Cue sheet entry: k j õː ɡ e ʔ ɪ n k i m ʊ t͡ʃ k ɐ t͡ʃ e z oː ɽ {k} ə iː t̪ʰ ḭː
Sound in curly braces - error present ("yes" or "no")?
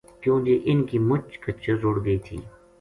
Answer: yes